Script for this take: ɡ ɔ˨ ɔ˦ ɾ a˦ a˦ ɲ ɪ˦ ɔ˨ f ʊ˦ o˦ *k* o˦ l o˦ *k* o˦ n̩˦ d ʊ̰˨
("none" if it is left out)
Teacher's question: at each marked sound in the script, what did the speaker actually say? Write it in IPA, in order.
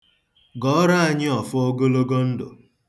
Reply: ɡ, ɡ

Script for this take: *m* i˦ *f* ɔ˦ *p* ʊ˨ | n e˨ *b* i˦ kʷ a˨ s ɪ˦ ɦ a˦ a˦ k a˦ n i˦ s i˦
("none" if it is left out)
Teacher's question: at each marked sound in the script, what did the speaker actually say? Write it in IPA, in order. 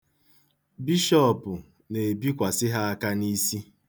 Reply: b, ʃ, p, b

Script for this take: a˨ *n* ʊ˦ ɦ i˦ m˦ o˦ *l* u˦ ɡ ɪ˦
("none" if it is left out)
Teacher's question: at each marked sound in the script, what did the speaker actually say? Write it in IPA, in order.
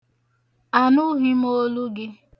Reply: n, l

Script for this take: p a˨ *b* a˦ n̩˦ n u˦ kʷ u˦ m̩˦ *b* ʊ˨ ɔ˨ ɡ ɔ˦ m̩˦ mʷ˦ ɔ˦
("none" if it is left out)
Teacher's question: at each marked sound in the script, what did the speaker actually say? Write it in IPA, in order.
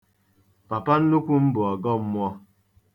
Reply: p, b

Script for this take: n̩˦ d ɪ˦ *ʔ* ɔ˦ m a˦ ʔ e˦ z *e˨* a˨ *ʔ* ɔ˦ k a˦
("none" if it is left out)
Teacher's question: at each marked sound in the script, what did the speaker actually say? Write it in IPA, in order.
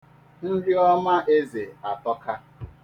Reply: none, e˨, t

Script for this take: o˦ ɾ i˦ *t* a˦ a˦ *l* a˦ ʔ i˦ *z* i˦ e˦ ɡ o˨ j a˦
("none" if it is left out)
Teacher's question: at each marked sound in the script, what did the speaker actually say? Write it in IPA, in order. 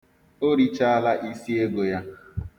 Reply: t͡ʃ, l, s

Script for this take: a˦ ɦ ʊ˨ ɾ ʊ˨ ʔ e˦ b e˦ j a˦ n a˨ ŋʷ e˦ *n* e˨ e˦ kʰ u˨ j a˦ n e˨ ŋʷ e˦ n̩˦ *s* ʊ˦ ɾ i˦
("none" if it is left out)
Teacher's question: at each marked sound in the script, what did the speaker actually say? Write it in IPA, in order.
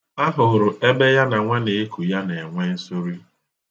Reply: n, s

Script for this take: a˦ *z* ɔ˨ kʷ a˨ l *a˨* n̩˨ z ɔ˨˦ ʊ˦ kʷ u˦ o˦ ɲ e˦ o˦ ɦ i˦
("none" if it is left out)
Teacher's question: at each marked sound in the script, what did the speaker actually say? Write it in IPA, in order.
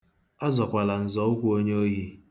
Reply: z, a˨

